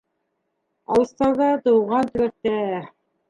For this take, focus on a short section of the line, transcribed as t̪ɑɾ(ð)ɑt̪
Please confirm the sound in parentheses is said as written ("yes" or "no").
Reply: yes